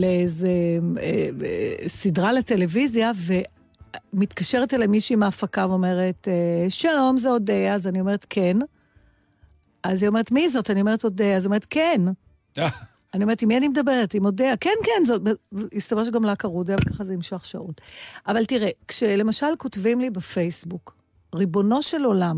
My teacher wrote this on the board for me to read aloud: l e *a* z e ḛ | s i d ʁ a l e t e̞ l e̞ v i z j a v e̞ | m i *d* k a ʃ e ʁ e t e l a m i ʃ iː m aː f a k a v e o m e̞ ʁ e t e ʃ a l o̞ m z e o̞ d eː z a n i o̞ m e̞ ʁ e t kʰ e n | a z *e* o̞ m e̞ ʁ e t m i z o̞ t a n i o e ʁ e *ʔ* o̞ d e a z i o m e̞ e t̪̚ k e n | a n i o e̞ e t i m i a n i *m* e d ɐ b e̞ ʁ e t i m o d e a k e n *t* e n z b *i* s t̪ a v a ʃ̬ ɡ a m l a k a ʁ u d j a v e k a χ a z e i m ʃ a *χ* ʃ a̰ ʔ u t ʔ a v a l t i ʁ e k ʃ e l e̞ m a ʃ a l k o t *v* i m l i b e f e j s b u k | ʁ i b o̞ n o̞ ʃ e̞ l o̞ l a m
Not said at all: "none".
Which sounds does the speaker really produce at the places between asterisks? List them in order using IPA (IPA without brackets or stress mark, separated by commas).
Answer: e, t, i, t, m, k, i, χ, v